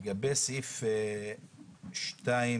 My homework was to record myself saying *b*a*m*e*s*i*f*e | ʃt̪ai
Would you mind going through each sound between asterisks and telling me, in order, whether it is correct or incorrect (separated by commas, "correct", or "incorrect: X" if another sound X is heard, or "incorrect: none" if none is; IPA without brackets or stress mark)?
incorrect: ɡ, incorrect: b, correct, correct